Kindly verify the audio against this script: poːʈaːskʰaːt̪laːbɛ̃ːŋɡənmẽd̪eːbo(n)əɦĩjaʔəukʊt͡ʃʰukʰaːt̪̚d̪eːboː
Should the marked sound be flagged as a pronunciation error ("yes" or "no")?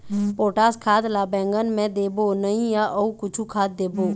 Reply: no